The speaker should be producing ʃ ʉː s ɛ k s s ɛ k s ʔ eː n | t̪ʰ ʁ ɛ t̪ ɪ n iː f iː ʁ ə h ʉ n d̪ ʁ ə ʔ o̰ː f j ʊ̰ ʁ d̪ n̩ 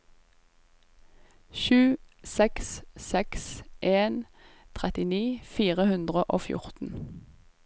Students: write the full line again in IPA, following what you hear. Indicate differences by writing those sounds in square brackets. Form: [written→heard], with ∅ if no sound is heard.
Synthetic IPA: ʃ ʉː s ɛ k s s ɛ k s ʔ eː n | t̪ʰ ʁ ɛ t̪ ɪ n iː f iː ʁ ə h ʉ n d̪ ʁ ə ʔ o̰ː f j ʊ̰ ʁ [d̪→t̪] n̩